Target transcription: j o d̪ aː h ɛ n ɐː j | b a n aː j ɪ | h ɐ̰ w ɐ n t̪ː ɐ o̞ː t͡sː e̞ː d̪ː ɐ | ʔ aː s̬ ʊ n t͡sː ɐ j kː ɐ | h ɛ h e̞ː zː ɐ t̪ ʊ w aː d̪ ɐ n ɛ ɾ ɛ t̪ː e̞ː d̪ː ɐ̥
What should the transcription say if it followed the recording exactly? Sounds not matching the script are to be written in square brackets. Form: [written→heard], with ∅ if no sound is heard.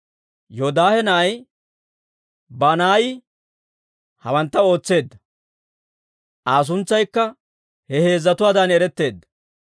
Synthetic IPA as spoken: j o d̪ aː h ɛ n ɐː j | b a n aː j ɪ | h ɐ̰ w ɐ n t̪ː ɐ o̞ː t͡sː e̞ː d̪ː ɐ | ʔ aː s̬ ʊ n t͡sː ɐ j kː ɐ | h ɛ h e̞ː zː ɐ t̪ ʊ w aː d̪ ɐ n ɛ ɾ ɛ t̪ː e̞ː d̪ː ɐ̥